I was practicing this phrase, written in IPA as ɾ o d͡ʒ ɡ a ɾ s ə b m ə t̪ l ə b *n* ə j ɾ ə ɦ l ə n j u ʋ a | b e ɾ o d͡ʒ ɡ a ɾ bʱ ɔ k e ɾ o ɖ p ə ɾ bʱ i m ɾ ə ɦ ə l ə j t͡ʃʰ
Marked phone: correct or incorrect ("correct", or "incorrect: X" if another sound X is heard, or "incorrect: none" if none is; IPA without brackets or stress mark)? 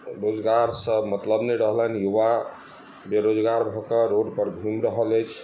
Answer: correct